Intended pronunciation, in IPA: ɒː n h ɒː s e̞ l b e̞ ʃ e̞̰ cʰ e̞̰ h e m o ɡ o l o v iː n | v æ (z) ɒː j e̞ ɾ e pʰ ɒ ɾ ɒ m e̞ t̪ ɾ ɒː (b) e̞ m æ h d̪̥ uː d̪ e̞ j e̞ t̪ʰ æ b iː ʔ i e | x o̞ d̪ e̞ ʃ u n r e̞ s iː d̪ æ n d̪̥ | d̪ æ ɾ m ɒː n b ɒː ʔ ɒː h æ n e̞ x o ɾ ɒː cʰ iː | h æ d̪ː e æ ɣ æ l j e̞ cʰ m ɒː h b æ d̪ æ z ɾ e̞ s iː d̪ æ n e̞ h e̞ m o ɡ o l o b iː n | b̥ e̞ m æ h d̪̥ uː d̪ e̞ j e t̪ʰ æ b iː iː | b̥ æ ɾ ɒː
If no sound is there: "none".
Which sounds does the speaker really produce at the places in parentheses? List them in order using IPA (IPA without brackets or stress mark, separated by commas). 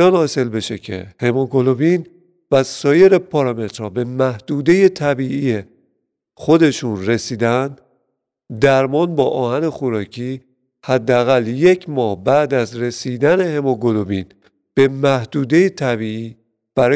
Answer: s, b